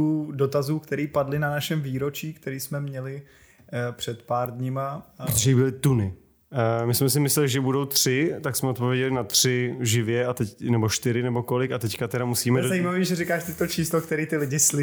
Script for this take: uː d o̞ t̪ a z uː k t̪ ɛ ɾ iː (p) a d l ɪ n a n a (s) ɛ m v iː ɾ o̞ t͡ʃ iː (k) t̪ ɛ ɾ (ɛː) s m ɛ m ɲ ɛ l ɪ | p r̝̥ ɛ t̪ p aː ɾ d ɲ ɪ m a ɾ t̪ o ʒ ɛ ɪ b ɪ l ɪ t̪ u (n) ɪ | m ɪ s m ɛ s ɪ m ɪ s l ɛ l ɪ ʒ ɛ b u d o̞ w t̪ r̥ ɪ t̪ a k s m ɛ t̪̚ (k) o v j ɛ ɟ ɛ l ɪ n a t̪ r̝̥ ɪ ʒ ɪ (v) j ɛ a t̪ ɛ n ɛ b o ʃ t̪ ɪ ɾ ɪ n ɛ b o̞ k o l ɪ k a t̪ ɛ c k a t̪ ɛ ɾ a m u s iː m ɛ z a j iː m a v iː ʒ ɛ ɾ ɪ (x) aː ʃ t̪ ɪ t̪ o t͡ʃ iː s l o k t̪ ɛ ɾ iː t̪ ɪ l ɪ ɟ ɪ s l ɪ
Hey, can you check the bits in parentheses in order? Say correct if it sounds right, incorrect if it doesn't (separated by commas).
correct, incorrect, correct, incorrect, correct, incorrect, correct, incorrect